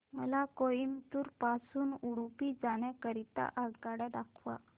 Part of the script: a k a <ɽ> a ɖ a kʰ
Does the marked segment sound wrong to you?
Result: no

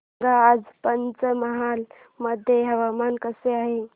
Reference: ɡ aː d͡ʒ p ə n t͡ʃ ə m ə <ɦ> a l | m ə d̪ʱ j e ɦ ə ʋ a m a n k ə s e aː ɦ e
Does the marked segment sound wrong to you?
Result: no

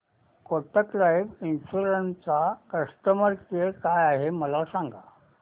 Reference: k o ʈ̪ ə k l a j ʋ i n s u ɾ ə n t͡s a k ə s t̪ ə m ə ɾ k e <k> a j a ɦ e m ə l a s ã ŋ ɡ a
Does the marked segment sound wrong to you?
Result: no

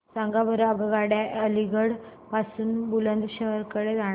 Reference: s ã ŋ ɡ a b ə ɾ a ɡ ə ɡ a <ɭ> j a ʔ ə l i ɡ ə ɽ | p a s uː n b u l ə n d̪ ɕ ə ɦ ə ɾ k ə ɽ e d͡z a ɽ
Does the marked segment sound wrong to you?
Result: yes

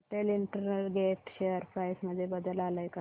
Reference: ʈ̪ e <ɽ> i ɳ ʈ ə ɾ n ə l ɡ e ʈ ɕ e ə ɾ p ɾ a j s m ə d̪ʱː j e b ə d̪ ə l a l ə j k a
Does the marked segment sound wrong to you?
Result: yes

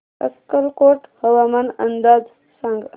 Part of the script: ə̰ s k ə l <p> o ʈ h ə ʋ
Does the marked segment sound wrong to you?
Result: yes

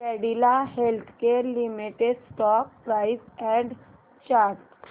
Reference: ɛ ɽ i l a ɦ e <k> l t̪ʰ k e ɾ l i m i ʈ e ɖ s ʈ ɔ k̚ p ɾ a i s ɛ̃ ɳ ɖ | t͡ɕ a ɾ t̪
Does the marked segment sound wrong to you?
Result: yes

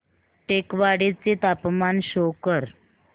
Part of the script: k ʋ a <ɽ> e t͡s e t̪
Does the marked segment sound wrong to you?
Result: no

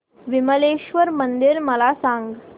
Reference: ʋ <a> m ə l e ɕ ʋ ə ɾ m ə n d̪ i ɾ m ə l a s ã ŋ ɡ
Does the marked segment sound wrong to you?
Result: yes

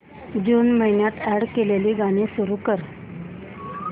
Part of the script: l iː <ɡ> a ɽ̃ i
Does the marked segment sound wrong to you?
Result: no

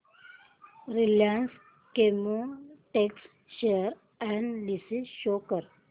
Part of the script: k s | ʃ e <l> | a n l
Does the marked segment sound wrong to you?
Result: yes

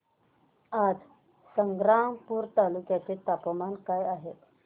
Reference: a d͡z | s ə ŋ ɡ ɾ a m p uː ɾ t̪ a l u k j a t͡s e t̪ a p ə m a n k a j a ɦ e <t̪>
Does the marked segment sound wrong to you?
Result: no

